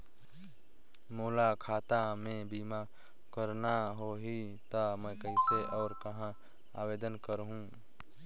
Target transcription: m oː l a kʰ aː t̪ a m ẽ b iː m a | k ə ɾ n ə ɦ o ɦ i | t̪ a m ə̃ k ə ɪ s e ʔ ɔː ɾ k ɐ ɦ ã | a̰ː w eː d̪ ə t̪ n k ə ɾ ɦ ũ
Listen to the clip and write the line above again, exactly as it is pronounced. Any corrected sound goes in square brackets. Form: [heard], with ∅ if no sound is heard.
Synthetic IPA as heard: m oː l a kʰ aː t̪ a m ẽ b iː m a | k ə ɾ n [a] ɦ o ɦ i | t̪ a m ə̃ k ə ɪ s e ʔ ɔː ɾ k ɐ ɦ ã | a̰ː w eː d̪ ə [∅] n k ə ɾ ɦ ũ